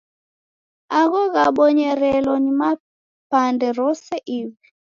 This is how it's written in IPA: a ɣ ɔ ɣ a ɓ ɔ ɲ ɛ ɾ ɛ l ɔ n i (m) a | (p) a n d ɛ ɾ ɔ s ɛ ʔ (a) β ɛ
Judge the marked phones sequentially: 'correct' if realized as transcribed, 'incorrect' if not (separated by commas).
correct, correct, incorrect